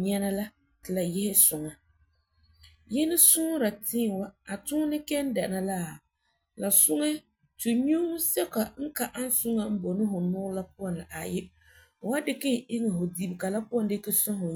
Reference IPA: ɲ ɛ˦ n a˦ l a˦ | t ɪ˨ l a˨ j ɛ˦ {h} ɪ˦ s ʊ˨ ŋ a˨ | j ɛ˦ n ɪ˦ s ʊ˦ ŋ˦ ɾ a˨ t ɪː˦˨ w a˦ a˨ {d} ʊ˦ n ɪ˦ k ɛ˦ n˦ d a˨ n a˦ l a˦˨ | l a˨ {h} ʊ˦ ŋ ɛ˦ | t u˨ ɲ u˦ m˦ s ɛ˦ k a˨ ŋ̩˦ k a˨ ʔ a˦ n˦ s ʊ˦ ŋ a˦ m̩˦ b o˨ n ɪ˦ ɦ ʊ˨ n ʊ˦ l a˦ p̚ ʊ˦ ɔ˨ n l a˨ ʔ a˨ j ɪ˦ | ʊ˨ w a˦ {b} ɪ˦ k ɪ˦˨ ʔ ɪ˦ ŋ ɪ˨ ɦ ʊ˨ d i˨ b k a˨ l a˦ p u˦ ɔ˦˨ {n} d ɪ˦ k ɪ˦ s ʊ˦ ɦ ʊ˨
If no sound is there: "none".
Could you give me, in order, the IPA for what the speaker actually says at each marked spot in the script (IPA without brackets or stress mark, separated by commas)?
h, t, s, d, n